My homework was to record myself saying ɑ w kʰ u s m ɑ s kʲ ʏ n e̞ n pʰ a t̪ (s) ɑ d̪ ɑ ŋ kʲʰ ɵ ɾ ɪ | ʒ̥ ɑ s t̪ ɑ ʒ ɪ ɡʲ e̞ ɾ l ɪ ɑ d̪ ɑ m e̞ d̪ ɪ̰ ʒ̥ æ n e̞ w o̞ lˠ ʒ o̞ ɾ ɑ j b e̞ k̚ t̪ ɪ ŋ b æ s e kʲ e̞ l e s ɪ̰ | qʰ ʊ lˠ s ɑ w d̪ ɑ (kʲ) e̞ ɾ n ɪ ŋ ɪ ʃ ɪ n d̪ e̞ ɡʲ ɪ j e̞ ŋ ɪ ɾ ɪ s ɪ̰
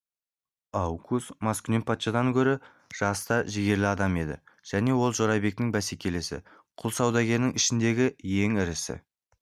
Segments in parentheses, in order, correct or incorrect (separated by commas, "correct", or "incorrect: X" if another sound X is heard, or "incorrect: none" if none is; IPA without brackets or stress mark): incorrect: ʃ, incorrect: ɡʲ